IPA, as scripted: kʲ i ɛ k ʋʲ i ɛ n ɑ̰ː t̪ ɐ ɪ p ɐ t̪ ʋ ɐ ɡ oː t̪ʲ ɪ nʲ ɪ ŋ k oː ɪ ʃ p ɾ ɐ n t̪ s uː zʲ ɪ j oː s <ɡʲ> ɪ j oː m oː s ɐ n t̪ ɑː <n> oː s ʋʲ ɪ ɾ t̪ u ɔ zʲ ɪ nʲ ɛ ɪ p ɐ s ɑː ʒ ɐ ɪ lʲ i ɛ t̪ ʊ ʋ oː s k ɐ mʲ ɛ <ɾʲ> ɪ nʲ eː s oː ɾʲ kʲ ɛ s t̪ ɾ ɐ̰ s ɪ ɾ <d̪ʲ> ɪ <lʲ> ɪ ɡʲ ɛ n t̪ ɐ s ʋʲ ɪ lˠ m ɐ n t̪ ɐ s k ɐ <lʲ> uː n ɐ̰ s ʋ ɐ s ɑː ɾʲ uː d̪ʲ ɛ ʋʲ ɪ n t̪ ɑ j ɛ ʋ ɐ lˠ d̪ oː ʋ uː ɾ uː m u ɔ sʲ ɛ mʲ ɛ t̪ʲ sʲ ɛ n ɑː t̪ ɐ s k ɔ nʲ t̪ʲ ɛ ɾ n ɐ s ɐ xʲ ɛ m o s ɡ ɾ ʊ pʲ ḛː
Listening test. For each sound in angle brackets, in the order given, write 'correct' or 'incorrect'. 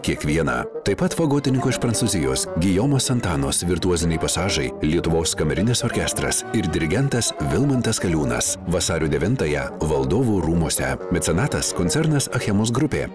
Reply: correct, correct, correct, correct, incorrect: ɾʲ, correct

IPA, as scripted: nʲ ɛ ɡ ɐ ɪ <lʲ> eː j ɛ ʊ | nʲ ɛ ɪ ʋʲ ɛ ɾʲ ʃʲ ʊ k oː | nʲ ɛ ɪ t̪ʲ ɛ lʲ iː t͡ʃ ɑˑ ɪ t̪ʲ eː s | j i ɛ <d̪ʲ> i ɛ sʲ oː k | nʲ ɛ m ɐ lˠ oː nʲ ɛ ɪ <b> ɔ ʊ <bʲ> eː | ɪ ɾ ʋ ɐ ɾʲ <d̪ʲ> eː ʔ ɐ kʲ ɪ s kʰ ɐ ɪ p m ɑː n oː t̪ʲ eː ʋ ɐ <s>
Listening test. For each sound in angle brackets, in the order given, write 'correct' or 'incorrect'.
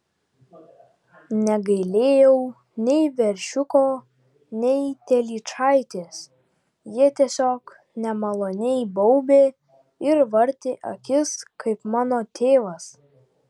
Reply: correct, incorrect: t̪ʲ, correct, correct, incorrect: t̪ʲ, correct

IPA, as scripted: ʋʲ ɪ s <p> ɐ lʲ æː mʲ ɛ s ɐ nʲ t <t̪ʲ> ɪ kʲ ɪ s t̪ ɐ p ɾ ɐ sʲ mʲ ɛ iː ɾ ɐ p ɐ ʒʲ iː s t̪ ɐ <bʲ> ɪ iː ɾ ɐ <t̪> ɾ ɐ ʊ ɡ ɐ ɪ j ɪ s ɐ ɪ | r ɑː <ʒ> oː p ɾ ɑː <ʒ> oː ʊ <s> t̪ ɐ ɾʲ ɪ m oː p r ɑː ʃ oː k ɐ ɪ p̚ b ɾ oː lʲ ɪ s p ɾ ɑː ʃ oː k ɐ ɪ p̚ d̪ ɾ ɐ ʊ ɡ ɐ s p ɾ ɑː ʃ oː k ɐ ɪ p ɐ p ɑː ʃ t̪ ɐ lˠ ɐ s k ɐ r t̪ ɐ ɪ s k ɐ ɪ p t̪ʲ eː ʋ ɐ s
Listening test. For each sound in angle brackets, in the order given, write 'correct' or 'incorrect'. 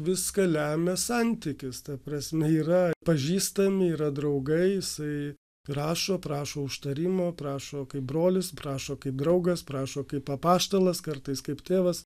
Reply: incorrect: k, correct, incorrect: mʲ, incorrect: d̪, incorrect: ʃ, incorrect: ʃ, incorrect: ʃ

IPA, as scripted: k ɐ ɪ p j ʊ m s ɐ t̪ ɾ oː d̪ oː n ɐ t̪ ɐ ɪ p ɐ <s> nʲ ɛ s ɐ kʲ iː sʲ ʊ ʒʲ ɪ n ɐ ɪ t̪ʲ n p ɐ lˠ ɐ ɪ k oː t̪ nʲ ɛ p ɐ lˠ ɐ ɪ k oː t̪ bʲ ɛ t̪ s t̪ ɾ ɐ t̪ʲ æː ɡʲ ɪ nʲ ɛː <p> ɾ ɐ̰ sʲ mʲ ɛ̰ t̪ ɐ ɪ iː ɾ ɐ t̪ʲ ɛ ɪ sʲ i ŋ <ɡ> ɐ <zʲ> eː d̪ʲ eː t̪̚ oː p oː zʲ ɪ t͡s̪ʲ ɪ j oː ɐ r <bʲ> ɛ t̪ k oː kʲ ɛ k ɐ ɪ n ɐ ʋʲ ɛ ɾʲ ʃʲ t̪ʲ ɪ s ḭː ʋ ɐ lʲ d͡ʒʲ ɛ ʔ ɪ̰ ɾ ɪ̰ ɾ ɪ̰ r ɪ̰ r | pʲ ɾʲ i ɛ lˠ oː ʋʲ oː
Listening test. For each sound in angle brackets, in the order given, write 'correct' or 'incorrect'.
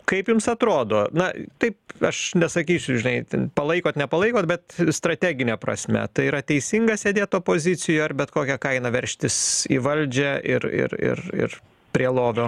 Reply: incorrect: ʃ, correct, correct, incorrect: sʲ, correct

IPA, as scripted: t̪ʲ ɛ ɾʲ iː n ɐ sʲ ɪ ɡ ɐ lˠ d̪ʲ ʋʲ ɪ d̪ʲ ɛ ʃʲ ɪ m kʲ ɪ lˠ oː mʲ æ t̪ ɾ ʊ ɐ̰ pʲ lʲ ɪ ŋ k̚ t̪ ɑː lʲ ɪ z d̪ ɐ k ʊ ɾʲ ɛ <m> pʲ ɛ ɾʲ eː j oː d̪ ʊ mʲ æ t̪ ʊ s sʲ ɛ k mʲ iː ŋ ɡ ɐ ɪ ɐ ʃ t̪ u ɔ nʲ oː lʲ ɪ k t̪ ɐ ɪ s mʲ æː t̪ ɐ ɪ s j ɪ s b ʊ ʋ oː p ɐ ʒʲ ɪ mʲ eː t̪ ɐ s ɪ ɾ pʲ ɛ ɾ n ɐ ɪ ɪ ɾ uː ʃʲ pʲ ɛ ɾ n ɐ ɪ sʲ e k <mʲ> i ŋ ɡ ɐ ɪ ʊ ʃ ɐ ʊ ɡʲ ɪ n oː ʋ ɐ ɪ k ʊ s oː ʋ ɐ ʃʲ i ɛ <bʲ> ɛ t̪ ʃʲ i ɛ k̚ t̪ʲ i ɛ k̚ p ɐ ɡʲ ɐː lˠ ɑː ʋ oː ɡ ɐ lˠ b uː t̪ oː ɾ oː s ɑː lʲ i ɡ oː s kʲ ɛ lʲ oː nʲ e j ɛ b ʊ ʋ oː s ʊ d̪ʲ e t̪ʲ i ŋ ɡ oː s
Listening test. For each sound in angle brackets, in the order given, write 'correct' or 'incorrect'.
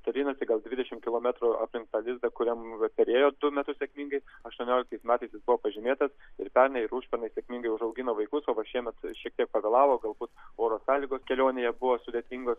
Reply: correct, correct, incorrect: mʲ

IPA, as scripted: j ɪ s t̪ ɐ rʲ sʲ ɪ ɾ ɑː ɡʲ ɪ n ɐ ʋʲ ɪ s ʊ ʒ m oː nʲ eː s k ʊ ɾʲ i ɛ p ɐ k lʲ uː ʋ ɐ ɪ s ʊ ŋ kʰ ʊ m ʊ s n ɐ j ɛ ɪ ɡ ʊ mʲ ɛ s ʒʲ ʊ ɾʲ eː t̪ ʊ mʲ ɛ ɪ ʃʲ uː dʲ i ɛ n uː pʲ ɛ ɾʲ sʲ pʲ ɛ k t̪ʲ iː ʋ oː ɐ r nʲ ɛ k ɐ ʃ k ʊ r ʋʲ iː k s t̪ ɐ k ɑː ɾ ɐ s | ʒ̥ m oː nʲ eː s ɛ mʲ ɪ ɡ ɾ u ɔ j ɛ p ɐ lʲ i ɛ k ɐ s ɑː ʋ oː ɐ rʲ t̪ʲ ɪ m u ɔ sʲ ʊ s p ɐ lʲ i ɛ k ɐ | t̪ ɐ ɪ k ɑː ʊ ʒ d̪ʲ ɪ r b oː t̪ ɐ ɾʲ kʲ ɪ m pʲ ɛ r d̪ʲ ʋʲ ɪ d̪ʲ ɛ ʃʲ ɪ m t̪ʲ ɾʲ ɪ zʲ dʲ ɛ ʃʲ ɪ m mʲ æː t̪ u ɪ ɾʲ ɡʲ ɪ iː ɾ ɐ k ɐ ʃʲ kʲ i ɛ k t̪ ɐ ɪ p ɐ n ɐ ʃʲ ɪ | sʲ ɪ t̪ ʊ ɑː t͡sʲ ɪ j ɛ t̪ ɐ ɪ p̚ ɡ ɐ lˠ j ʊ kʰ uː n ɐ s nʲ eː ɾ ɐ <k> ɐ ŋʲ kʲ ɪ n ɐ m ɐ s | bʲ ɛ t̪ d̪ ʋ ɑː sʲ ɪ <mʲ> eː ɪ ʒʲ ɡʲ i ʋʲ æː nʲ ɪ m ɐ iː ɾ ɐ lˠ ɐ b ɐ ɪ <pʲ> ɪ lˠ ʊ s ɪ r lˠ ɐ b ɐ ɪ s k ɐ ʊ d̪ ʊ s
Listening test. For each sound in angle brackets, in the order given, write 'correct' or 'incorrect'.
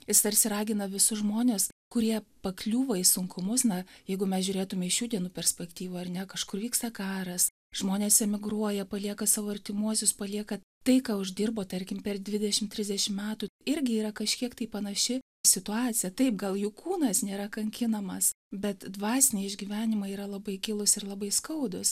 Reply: correct, incorrect: nʲ, incorrect: kʲ

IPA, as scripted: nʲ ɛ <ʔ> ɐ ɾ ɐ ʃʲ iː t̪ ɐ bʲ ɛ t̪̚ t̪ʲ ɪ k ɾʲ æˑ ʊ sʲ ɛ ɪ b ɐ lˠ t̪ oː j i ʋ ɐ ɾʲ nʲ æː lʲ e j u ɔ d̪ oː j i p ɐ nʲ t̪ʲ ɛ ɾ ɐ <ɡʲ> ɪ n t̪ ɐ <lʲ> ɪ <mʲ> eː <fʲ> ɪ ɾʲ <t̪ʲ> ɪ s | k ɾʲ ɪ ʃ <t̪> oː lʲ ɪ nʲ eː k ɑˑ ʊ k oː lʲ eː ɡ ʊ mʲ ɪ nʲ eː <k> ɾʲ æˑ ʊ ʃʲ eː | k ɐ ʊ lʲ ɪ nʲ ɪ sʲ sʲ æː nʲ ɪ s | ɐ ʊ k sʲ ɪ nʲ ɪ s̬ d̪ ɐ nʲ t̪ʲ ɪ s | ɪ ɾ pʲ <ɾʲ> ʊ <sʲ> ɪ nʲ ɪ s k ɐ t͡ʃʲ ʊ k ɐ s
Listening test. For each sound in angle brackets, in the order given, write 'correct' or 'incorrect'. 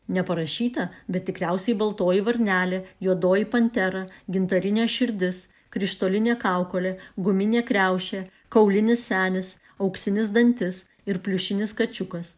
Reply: incorrect: p, correct, incorrect: ɾʲ, incorrect: nʲ, incorrect: ʃʲ, incorrect: d̪ʲ, correct, correct, incorrect: lʲ, incorrect: ʃʲ

